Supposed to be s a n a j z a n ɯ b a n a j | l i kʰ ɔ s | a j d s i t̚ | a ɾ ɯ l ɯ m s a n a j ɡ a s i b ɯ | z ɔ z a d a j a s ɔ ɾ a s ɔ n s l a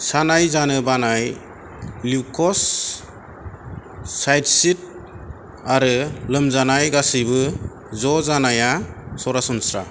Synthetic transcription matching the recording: s a n a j z a n ɯ b a n a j | l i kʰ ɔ s | a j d s i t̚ | a ɾ ɯ l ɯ m z a n a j ɡ a s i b ɯ | z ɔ z a n a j a s ɔ ɾ a s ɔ n s ɾ a